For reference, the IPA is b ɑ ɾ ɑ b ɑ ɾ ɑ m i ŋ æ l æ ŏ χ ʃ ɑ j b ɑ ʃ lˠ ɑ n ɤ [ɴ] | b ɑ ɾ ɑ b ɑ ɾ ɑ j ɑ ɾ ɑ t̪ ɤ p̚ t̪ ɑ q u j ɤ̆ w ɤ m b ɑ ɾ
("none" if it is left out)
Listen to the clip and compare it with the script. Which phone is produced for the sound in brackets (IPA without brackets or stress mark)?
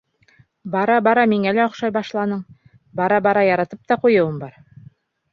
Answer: ɴ